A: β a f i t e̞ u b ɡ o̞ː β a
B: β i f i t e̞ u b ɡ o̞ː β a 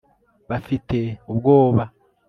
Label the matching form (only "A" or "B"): A